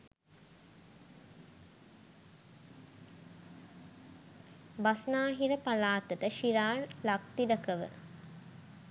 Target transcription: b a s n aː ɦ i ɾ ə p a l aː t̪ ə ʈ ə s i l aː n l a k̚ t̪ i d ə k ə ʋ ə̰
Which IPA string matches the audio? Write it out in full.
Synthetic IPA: b a s n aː ɦ i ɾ ə p a l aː t̪ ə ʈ ə ʃ i ɾ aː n l a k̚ t̪ i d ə k ə ʋ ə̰